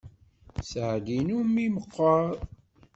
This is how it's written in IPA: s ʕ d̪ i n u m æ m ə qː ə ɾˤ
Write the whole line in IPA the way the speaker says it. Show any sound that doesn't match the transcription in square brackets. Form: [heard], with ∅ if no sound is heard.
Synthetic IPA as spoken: s ʕ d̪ i n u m [i] m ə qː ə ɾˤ

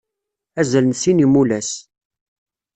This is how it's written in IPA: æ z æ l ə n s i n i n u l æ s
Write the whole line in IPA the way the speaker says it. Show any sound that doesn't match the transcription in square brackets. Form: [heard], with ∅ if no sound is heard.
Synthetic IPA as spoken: æ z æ l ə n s i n i [m] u l æ s

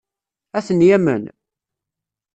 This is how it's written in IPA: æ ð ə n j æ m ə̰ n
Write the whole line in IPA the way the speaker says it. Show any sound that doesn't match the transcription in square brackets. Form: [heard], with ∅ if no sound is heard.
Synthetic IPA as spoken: æ [θ] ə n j æ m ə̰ n

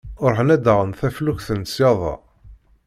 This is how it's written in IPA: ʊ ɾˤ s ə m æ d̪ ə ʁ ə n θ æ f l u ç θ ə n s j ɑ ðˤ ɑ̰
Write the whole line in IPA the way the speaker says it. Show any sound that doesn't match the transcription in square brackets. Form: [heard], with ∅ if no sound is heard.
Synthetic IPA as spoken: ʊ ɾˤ [ħ] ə [n] æ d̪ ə ʁ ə n θ æ f l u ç θ ə n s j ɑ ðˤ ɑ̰

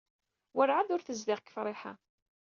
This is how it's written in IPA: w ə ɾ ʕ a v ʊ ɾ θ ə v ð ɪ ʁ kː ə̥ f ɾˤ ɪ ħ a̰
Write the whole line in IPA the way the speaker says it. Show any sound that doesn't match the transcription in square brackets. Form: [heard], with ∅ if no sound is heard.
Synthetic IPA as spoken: w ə ɾ ʕ a [ð] ʊ ɾ θ ə [z] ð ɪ ʁ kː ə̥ f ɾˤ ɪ ħ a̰

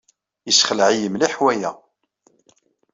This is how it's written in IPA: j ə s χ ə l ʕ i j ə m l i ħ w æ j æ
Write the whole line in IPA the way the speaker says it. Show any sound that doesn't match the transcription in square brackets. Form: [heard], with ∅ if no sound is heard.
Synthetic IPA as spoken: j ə s χ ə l ʕ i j ə m l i ħ w æ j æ

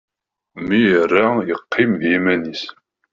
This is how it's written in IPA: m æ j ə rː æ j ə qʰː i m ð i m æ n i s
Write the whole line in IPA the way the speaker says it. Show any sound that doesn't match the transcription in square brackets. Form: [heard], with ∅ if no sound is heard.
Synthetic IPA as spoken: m [i] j ə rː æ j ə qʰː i m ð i m æ n i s

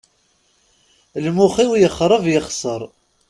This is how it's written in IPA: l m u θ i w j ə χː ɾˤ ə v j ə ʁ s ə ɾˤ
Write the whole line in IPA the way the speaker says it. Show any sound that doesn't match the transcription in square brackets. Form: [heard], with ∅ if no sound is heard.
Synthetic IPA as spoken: l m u [χ] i w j ə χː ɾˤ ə v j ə [χ] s ə ɾˤ

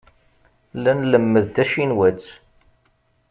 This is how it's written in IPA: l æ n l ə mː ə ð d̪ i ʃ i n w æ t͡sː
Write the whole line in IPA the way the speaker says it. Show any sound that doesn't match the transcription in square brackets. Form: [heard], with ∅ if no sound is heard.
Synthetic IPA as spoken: l æ n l ə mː ə ð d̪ [æ] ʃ i n w æ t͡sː

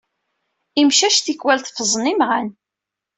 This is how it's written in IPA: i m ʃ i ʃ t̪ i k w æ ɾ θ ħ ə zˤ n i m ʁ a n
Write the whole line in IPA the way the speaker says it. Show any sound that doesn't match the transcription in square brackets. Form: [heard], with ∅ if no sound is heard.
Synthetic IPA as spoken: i m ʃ [æ] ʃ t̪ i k w æ [l] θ [f] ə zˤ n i m ʁ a n

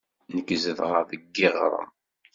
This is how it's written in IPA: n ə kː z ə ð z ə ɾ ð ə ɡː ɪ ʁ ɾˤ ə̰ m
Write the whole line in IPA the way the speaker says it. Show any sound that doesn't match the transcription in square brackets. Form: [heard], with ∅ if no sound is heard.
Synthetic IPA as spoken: n ə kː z ə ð [ʁ] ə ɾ ð ə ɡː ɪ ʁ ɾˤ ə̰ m

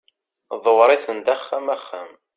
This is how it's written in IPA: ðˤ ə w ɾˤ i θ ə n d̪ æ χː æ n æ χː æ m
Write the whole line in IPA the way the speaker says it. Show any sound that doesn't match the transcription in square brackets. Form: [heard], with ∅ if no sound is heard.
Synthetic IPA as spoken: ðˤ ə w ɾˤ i θ ə n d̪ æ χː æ [m] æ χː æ m

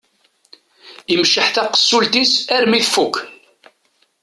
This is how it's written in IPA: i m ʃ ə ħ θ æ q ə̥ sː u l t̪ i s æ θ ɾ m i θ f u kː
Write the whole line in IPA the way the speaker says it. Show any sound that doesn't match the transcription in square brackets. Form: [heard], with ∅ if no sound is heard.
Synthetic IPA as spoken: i m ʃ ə ħ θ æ q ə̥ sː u l t̪ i s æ [∅] ɾ m i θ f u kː

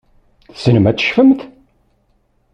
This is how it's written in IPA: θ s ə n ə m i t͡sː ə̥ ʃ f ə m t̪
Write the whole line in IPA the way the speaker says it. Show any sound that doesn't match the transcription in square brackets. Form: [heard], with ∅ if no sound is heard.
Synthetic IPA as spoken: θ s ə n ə m [æ] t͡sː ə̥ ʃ f ə m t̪

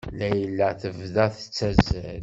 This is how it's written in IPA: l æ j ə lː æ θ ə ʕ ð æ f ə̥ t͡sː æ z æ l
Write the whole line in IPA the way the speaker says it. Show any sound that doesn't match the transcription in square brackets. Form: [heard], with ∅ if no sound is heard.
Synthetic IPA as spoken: l æ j ə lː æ θ ə [v] ð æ [θ] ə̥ t͡sː æ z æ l

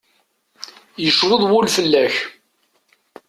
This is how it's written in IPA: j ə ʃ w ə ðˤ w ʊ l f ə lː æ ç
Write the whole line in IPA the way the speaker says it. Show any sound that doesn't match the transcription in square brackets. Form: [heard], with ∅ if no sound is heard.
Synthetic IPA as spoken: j ə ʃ w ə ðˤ w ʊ l f ə lː æ ç

